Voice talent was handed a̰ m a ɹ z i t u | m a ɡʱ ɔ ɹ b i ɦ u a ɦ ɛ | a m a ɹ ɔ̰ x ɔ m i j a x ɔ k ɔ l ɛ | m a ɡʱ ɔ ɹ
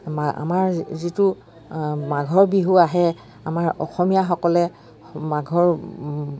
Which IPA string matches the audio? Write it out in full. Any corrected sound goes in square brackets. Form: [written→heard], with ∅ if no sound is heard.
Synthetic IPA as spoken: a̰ m a ɹ z i t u | m a ɡʱ ɔ ɹ b i ɦ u a ɦ ɛ | a m a ɹ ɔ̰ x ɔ m i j a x ɔ k ɔ l ɛ | m a ɡʱ ɔ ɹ